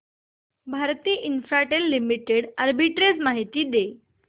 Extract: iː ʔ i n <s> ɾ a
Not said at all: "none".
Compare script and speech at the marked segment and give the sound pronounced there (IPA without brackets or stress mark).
f